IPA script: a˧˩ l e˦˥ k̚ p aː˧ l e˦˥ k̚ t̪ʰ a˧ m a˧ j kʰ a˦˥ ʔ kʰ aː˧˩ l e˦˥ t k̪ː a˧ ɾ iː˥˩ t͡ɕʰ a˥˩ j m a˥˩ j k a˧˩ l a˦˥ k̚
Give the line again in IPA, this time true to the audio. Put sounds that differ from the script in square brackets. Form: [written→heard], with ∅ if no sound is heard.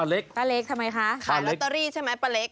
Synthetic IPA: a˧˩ l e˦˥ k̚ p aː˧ l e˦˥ k̚ t̪ʰ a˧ m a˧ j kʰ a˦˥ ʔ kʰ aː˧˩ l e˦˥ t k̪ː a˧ ɾ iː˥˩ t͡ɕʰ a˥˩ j m [a˥˩→a˦˥] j [k→p] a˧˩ l [a˦˥→e˦˥] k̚